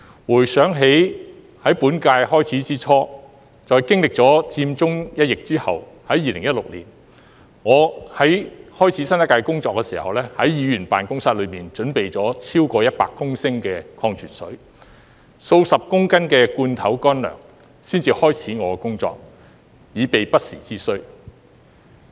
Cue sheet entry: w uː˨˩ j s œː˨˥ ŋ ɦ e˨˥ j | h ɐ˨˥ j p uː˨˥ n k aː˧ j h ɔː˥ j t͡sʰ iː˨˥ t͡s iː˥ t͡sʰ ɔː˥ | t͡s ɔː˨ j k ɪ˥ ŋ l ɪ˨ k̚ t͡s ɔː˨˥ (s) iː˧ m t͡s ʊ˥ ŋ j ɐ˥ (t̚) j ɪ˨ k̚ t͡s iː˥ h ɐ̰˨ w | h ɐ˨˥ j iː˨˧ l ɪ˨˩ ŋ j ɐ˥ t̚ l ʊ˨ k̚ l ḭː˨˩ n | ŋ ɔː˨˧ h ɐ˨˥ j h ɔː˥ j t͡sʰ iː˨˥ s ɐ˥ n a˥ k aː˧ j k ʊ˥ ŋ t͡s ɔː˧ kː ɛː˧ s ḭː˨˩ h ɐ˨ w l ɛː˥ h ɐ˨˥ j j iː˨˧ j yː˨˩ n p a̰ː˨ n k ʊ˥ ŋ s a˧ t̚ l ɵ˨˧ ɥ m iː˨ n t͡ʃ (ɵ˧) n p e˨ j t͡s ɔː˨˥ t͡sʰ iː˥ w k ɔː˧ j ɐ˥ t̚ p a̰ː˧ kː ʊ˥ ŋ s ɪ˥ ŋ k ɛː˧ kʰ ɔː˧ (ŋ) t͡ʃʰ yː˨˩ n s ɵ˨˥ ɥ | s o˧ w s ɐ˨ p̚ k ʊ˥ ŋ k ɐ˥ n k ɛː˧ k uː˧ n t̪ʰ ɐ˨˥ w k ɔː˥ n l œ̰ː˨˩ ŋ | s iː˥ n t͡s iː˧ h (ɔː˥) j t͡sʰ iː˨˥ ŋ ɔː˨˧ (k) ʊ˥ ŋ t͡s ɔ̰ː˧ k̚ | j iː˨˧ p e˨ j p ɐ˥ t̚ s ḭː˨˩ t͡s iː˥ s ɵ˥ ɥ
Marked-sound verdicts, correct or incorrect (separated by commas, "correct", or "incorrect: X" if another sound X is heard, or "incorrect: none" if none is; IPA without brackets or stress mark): incorrect: t͡s, correct, incorrect: ɵ˨˥, correct, correct, correct